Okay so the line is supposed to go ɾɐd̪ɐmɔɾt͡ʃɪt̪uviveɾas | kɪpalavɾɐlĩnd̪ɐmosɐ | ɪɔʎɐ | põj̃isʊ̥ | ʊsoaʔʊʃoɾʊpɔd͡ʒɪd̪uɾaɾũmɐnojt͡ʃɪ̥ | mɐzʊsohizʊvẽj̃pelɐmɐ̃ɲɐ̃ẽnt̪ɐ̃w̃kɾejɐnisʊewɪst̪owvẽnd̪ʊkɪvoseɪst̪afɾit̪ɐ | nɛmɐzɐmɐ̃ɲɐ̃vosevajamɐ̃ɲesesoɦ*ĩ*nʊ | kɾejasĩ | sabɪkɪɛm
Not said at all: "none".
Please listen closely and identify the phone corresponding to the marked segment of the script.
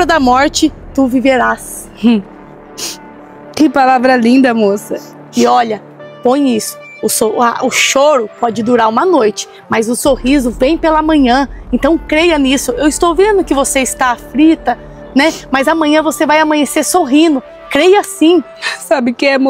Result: ĩ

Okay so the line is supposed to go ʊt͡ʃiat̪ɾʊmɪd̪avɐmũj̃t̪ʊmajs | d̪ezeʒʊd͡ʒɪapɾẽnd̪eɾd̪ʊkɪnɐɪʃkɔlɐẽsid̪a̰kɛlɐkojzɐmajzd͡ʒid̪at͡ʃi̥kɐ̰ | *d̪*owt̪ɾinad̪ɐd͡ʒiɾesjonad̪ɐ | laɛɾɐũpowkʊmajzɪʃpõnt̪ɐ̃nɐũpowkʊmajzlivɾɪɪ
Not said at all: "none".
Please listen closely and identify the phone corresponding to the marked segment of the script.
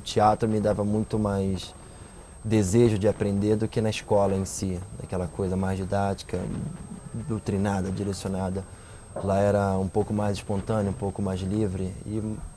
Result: d̪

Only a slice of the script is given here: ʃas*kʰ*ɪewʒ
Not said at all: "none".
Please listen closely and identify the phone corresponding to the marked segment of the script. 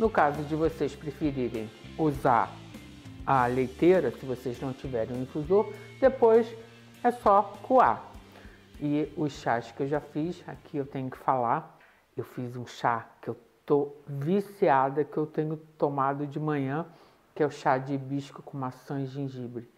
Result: k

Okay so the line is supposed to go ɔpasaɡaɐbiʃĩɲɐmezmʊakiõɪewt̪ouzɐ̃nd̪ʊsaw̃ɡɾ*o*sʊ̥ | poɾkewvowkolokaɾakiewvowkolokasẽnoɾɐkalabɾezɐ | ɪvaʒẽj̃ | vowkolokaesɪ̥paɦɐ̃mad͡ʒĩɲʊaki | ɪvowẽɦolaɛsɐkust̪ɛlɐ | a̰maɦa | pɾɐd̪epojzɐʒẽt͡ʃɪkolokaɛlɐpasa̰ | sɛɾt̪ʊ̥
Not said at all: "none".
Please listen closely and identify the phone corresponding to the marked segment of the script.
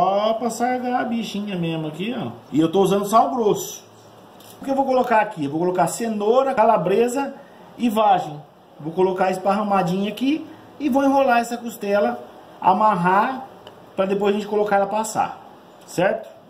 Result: o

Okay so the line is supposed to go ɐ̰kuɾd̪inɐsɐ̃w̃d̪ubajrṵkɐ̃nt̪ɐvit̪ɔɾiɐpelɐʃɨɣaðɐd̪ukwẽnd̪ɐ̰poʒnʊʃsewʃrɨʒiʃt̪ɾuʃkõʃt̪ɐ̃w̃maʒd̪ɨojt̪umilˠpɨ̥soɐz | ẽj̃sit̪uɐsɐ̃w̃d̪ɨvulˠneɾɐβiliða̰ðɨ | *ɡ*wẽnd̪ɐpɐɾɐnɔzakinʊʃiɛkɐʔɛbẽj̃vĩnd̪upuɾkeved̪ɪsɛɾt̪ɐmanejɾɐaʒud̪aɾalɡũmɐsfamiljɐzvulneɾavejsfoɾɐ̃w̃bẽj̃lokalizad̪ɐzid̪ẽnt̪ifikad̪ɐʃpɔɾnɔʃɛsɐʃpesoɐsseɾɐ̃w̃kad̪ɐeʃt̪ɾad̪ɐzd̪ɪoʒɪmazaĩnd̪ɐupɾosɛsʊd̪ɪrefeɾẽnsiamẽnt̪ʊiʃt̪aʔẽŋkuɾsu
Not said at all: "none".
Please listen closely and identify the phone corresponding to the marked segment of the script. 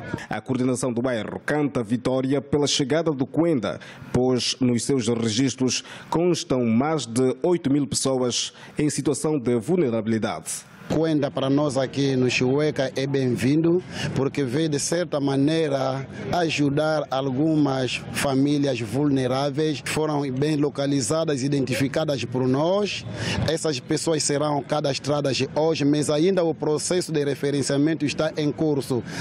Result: k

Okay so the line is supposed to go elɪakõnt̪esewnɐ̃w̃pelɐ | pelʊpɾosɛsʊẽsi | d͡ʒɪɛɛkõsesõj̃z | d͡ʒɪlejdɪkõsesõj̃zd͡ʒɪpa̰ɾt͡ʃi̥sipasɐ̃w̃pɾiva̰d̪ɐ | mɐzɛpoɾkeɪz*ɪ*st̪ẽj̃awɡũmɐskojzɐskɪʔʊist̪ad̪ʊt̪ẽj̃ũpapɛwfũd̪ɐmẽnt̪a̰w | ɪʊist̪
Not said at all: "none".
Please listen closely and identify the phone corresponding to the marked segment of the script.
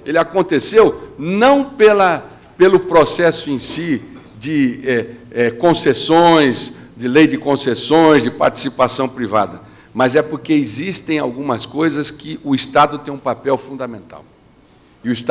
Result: i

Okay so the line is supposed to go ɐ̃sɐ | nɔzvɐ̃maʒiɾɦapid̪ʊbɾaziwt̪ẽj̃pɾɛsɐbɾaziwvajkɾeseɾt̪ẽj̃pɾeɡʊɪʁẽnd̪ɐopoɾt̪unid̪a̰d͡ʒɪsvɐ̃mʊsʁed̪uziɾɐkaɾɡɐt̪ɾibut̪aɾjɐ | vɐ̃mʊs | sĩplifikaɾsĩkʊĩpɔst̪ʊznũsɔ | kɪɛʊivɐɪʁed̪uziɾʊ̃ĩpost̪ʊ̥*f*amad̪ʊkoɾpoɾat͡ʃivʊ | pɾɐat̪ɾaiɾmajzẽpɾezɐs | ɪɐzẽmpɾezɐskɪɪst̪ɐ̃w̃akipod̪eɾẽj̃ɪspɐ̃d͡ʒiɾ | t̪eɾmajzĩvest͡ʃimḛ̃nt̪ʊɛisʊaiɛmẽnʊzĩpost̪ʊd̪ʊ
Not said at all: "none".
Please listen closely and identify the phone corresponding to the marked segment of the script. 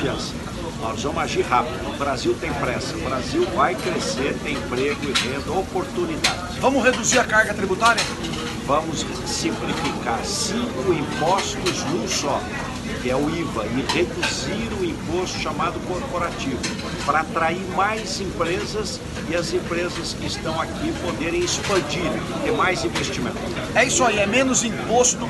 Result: ʃ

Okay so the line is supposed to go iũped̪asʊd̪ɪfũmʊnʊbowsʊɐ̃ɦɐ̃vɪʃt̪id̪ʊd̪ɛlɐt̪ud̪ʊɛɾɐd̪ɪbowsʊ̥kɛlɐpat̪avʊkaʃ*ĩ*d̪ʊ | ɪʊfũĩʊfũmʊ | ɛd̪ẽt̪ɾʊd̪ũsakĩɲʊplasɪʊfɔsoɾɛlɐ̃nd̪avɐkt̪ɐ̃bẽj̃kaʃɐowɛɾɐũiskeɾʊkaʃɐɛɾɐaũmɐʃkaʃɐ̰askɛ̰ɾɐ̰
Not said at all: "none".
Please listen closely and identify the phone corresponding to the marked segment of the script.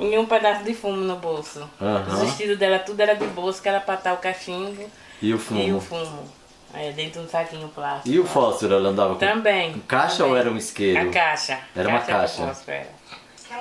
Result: ĩ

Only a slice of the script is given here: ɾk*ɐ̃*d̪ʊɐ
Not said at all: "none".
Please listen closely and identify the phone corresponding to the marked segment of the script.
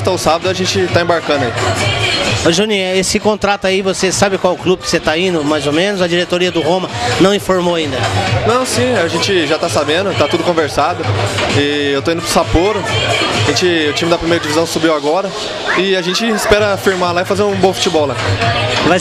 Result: ɐ̃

